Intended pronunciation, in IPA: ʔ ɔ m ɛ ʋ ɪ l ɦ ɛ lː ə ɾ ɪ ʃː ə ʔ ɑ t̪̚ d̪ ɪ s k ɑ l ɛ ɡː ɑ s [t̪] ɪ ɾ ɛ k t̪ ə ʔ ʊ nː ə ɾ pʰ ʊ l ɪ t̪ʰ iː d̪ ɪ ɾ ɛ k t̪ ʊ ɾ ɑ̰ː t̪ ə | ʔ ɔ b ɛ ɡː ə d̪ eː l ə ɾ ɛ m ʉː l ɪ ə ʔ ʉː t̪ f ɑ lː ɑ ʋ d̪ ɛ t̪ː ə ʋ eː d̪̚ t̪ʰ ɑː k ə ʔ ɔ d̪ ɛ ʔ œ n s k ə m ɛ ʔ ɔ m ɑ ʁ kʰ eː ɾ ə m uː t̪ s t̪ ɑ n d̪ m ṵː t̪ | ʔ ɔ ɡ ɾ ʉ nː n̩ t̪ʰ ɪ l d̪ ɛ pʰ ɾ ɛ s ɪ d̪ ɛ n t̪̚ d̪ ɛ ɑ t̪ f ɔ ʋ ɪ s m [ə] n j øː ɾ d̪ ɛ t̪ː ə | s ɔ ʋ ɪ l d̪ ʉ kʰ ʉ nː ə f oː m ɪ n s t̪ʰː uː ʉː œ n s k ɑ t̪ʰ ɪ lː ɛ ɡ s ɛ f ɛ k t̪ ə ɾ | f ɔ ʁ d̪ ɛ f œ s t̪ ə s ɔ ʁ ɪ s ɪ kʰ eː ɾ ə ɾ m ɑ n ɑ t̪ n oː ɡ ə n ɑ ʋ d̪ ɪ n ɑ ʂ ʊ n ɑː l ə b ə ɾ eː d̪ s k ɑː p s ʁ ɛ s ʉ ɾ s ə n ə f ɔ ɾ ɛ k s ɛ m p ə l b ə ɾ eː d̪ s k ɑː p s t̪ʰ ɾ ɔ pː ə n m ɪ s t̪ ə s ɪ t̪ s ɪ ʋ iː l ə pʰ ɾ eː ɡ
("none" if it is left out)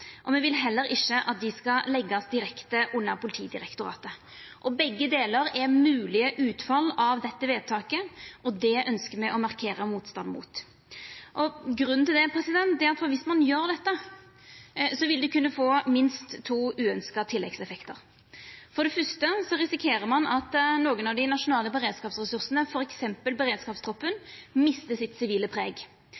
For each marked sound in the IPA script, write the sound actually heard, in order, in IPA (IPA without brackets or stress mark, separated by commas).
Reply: d̪, ɑ